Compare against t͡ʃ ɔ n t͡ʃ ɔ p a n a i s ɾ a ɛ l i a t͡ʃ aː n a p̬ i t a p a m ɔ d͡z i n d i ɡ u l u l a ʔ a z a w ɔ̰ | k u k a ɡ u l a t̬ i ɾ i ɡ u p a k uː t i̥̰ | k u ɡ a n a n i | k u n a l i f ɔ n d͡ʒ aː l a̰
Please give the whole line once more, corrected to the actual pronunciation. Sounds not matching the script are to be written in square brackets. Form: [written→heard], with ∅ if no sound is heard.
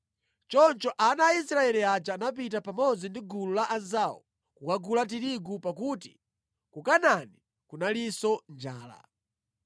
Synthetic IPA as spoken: t͡ʃ ɔ n t͡ʃ ɔ [p→ʔ] a n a i s ɾ a ɛ l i a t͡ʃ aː n a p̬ i t a p a m ɔ d͡z i n d i ɡ u l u l a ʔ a z a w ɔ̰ | k u k a ɡ u l a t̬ i ɾ i ɡ u p a k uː t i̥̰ | k u [ɡ→k] a n a n i | k u n a l i [f→s] ɔ n d͡ʒ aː l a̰